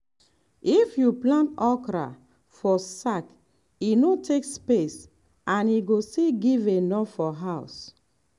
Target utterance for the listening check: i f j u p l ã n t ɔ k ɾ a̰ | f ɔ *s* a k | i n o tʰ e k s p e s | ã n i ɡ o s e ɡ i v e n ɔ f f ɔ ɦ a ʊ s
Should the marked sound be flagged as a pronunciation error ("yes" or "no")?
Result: no